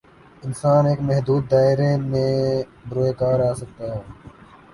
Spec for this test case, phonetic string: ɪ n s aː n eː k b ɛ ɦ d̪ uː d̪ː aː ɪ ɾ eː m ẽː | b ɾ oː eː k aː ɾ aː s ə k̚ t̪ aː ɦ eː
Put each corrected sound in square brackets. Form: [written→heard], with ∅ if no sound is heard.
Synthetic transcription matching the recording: ɪ n s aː n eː k [b→m] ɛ ɦ d̪ uː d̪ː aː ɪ ɾ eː m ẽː | b ɾ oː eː k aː ɾ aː s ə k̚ t̪ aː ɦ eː